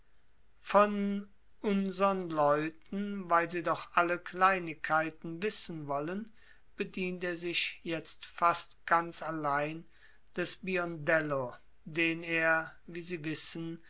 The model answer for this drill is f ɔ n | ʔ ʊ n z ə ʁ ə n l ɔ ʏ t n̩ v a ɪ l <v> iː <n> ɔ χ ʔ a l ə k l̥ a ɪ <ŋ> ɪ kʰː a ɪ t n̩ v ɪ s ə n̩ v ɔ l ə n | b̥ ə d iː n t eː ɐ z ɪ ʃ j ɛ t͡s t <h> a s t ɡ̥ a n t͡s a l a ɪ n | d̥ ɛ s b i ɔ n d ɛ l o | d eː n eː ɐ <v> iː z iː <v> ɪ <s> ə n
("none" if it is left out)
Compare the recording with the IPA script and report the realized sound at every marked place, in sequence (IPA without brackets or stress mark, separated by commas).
z, d, n, f, v, v, s